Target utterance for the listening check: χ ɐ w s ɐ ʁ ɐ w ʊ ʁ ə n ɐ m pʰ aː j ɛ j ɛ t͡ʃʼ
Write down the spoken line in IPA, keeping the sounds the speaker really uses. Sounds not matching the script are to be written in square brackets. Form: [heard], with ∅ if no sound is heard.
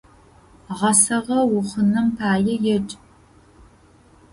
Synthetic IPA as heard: [ʁ] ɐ [∅] s ɐ ʁ ɐ w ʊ [χ] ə n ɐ m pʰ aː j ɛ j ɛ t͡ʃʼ